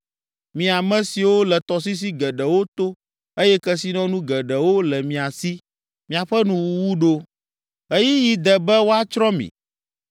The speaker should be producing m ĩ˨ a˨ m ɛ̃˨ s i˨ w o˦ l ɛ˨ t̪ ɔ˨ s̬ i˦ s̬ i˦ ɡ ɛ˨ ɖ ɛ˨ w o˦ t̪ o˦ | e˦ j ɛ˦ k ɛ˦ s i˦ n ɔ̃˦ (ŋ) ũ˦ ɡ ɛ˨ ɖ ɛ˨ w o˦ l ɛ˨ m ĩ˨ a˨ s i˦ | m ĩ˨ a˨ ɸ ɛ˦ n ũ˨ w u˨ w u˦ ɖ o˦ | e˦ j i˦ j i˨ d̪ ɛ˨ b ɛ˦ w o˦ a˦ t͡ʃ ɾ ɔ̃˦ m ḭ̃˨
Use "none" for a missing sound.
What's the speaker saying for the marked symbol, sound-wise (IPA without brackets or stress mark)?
n